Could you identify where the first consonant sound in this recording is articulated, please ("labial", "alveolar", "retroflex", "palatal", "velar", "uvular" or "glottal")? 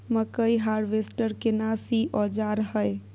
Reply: labial